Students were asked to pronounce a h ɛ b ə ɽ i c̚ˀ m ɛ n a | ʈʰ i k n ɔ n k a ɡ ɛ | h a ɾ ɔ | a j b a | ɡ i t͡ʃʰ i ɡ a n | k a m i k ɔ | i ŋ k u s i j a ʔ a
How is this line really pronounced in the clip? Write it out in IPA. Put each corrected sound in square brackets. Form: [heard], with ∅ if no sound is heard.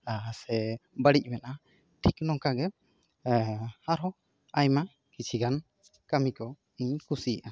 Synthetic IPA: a [s] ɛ b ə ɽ i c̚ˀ m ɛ n a | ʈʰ i k n ɔ [ŋ] k a ɡ ɛ | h a ɾ ɔ | a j [m] a | [k] i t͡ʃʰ i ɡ a n | k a m i k ɔ | i [ɲ] k u s i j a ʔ a